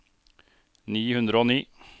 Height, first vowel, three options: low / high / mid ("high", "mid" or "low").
high